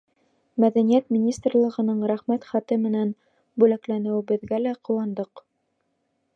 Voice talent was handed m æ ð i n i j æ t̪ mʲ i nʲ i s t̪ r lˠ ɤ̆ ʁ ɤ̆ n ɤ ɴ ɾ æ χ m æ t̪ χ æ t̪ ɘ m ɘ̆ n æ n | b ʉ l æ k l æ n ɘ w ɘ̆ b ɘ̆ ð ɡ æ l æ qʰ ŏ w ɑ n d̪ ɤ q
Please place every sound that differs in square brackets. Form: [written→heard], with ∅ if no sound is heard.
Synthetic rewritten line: m æ ð [i→æ] n i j æ t̪ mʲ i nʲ i s t̪ r lˠ ɤ̆ ʁ ɤ̆ n ɤ ɴ ɾ æ χ m æ t̪ χ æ t̪ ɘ m ɘ̆ n æ n | b ʉ l æ k l æ n ɘ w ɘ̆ b ɘ̆ ð ɡ æ l æ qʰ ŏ w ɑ n d̪ ɤ q